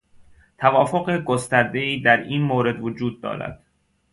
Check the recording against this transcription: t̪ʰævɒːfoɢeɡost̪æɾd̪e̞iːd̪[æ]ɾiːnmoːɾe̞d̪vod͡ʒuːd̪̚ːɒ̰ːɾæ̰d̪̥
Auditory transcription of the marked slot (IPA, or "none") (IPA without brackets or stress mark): æ